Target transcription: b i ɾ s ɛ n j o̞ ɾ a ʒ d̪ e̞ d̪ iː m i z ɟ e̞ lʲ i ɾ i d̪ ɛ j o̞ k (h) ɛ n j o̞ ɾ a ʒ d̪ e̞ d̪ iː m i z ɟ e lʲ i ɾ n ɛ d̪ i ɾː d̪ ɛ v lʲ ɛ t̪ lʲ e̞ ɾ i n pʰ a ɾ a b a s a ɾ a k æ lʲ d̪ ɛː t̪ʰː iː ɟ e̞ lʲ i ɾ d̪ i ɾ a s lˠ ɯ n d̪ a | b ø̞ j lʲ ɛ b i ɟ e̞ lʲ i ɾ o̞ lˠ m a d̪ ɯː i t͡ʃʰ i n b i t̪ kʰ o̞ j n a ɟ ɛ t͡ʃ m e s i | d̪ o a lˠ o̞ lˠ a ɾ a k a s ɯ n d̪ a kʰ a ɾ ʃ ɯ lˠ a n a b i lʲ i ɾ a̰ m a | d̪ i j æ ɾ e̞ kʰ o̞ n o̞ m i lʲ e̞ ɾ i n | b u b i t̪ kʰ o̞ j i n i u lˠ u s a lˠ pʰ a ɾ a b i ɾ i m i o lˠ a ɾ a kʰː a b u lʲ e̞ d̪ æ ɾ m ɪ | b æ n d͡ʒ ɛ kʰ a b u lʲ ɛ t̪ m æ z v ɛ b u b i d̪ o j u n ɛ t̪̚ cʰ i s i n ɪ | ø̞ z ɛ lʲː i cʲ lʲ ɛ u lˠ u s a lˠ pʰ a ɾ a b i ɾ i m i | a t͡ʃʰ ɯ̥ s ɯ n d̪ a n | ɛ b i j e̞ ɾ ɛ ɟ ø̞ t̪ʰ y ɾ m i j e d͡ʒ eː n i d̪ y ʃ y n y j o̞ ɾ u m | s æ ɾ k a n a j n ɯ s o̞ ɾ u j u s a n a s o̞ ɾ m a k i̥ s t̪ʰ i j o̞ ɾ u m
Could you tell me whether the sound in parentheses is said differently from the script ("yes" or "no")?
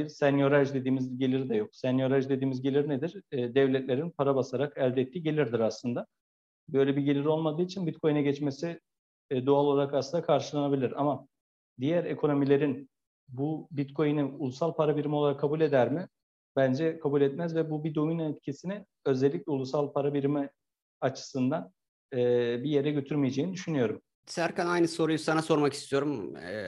yes